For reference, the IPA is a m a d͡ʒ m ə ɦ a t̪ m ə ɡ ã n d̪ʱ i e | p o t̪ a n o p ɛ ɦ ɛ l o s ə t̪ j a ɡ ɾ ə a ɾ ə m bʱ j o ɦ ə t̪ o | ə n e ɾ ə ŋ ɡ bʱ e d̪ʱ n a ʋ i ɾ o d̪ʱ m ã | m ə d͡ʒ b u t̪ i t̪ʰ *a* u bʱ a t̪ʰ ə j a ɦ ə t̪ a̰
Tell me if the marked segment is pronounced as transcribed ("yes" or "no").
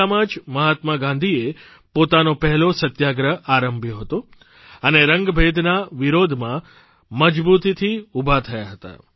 no